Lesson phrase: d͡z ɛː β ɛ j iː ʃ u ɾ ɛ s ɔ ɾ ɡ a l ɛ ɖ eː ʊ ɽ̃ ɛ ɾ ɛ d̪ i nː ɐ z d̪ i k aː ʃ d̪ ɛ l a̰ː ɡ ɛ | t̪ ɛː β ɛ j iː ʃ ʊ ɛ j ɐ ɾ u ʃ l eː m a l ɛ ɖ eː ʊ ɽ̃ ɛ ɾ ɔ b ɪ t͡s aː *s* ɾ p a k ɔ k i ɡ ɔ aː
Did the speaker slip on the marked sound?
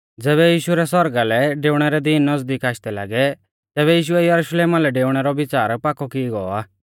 yes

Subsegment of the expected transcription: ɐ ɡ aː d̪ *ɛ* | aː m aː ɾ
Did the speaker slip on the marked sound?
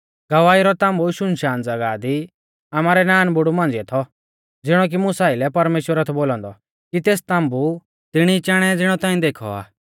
yes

